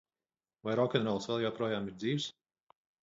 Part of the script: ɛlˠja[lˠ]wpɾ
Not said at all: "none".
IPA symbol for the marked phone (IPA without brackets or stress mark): none